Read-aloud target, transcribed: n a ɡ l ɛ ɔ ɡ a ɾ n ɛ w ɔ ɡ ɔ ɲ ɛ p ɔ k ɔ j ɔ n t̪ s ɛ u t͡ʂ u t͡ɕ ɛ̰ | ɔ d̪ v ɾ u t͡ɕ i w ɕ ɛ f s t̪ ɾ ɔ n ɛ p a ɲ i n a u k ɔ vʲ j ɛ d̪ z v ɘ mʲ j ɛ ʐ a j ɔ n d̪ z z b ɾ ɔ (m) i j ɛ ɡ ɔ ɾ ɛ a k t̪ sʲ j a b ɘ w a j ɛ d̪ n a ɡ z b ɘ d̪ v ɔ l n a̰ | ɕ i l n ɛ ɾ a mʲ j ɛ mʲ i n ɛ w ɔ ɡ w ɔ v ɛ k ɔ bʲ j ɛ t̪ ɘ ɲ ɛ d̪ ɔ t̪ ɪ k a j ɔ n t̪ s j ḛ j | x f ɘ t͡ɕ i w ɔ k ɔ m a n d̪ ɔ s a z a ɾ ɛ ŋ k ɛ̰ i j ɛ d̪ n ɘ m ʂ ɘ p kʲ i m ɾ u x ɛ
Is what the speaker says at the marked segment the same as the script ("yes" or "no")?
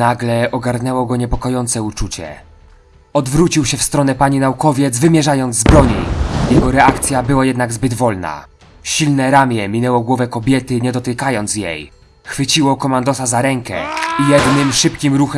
no